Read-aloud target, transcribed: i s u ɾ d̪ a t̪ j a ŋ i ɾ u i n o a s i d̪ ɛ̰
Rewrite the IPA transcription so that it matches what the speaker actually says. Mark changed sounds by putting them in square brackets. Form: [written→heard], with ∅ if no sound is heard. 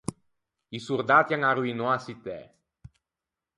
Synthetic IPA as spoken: i s u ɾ d̪ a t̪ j a ŋ [i→a] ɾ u i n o a s i [d̪→t̪] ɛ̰

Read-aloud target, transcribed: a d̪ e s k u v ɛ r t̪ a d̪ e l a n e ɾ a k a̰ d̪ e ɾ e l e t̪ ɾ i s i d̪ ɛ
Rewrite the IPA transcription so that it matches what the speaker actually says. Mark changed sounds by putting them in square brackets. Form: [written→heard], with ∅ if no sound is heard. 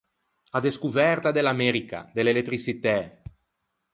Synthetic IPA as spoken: a d̪ e s k u v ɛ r t̪ a d̪ e l a [n→m] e ɾ [a→i] k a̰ d̪ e [ɾ→l] e l e t̪ ɾ i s i [d̪→t̪] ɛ

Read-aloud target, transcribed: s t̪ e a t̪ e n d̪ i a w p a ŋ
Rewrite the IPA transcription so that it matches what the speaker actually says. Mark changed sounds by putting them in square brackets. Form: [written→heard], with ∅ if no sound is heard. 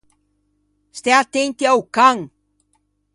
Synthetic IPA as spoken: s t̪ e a t̪ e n [d̪→t̪] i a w [p→k] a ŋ

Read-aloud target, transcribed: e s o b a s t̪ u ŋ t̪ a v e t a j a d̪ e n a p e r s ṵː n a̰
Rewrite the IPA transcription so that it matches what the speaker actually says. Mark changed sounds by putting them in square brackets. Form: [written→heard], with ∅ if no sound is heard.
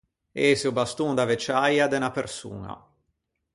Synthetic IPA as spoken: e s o b a s t̪ u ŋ [t̪→d̪] a v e [t→t͡ʃ] a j a d̪ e n a p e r s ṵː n a̰

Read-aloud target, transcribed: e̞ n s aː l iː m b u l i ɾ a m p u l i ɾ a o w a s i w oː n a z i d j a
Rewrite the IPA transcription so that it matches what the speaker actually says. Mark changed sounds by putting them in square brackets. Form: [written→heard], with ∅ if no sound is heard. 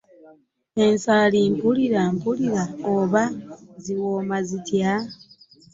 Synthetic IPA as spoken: e̞ n s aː l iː m [b→p] u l i ɾ a m p u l i ɾ a o [w→β] a [s→z] i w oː [n→m] a z i [d→t] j a

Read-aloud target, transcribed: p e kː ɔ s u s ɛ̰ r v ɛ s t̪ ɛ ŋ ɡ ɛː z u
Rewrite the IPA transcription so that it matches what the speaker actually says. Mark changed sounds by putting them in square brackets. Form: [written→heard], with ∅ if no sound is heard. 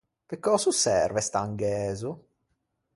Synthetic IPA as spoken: p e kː ɔ s u s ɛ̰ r v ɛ s t̪ [ɛ→a] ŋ ɡ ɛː z u

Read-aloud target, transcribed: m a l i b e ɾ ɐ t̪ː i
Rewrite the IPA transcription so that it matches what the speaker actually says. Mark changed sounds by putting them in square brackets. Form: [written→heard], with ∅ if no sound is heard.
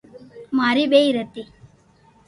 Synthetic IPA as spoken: m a [l→ɾ] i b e ɾ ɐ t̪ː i

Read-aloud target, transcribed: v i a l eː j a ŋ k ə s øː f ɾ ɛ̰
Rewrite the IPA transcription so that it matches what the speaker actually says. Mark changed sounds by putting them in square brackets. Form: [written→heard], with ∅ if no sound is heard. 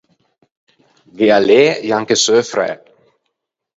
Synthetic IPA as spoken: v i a l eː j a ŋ k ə s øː f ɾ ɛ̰

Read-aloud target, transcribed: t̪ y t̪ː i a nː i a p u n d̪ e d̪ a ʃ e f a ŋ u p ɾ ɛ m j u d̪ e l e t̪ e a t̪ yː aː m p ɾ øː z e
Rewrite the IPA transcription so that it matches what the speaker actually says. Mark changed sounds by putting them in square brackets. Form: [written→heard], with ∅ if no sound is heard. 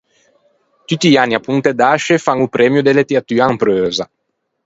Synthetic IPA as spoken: t̪ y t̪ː i a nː i a p u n [d̪→t̪] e d̪ a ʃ e f a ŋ u p ɾ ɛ m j u d̪ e l e t̪ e a t̪ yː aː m p ɾ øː z [e→a]

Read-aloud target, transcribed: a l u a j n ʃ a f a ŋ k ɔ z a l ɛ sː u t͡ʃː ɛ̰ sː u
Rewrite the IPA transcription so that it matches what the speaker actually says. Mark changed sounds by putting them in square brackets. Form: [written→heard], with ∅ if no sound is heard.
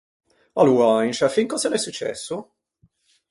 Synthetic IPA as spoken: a l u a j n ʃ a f [a→i] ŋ k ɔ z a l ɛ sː u t͡ʃː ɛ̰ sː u

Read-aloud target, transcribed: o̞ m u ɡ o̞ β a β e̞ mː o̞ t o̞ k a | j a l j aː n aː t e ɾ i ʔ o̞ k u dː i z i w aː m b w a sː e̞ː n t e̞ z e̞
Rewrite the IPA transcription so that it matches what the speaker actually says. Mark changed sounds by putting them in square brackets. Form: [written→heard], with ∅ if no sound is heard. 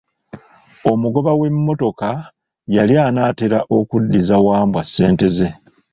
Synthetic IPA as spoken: o̞ m u ɡ o̞ β a [β→w] e̞ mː o̞ t o̞ k a | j a l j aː n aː t e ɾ [i→a] ʔ o̞ k u dː i z [i→a] w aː m b w a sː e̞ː n t e̞ z e̞

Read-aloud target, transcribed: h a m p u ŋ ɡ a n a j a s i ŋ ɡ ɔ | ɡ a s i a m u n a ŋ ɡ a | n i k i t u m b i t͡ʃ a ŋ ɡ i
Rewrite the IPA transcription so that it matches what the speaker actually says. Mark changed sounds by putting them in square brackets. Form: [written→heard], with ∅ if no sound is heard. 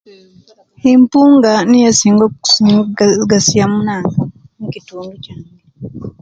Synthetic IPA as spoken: h [a→i] m p u ŋ ɡ a n [a→i] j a s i ŋ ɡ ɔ | ɡ a s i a m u n a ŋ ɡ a | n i k i t u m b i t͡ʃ a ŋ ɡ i

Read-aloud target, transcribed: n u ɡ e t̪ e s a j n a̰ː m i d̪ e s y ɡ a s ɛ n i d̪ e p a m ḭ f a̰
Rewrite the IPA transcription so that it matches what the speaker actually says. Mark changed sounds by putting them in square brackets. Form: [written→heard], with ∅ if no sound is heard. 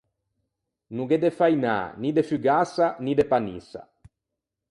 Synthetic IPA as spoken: n u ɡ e [t̪→d̪] e [s→f] a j n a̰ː [m→n] i d̪ e [s→f] y ɡ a s [ɛ→a] n i d̪ e p a [m→n] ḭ [f→s] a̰

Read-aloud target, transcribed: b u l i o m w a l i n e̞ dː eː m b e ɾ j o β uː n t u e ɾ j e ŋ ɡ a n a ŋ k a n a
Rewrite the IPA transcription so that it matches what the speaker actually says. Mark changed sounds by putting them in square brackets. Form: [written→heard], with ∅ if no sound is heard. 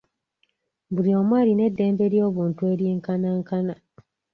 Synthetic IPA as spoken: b u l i o m w a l i n e̞ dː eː m b e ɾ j o β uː n t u e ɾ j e ŋ [ɡ→k] a n a ŋ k a n a

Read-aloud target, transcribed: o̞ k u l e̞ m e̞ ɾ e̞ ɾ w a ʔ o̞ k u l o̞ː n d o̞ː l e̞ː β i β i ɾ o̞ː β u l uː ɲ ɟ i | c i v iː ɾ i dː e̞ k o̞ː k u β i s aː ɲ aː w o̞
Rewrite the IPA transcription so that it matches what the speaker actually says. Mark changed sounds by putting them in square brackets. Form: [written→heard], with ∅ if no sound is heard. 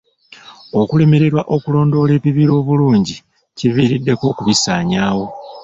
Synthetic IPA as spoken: o̞ k u l e̞ m e̞ ɾ e̞ ɾ w a ʔ o̞ k u l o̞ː n d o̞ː l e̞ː β i β i ɾ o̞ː β u l uː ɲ ɟ i | c i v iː ɾ i dː e̞ k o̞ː k u β i s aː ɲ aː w o̞

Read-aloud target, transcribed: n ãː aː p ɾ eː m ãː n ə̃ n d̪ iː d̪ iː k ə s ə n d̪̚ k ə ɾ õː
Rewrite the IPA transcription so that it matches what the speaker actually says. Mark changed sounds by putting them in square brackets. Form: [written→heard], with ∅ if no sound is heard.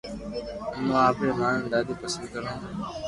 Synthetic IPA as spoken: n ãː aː p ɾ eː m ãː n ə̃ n d̪ [iː→aː] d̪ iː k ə s ə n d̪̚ k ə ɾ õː

